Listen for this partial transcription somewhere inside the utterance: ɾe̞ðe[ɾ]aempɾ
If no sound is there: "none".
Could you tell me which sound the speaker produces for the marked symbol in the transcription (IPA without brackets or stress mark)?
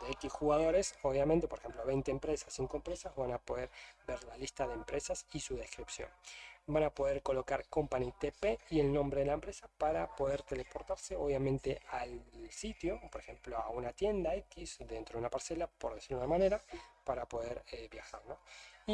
l